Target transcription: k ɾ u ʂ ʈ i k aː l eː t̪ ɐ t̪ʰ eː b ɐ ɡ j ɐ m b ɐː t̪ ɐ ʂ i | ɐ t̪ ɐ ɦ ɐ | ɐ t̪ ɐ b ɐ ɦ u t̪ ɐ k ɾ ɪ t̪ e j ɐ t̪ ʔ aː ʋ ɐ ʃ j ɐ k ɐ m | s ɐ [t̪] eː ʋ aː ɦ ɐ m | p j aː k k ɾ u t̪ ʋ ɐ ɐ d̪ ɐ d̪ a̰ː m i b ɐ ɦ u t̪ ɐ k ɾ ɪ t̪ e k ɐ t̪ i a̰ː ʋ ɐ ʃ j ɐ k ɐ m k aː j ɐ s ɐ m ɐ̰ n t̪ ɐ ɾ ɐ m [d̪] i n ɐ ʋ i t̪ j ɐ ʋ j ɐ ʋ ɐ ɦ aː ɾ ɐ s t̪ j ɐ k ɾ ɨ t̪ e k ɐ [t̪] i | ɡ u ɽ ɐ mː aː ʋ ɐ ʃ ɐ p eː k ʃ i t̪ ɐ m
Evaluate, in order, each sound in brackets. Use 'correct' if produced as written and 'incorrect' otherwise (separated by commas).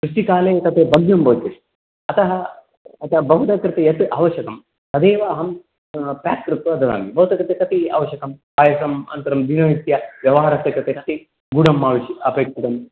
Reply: incorrect, correct, correct